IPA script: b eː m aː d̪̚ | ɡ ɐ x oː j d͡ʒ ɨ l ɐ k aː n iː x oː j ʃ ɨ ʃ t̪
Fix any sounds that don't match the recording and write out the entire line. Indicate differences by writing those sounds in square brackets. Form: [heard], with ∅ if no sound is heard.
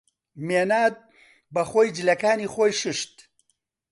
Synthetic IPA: [m] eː [n] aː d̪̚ | [b] ɐ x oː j d͡ʒ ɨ l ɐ k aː n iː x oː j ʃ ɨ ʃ t̪